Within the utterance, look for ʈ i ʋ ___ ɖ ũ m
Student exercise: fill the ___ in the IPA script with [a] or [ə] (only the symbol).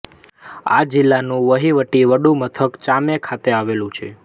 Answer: ə